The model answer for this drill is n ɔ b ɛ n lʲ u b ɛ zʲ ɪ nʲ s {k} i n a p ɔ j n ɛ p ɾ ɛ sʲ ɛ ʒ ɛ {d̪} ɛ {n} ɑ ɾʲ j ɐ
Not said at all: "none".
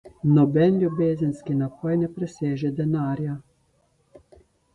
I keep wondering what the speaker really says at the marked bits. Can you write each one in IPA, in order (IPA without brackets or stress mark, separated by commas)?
k, d̪, n